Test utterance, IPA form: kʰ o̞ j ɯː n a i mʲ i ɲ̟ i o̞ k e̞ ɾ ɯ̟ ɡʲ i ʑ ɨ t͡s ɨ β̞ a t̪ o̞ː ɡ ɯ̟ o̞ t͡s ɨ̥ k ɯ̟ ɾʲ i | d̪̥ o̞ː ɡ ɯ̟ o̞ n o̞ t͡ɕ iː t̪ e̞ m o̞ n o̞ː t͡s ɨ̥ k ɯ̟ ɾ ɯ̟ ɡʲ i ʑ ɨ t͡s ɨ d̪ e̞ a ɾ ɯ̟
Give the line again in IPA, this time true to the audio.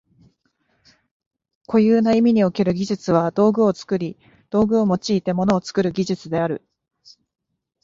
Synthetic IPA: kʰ o̞ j ɯː n a i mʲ i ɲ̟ i o̞ k e̞ ɾ ɯ̟ ɡʲ i ʑ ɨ t͡s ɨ β̞ a d̪ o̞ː ɡ ɯ̟ o̞ t͡s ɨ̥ k ɯ̟ ɾʲ i | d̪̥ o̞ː ɡ ɯ̟ o̞ m o̞ t͡ɕ iː t̪ e̞ m o̞ n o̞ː t͡s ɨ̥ k ɯ̟ ɾ ɯ̟ ɡʲ i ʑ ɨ t͡s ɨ d̪ e̞ a ɾ ɯ̟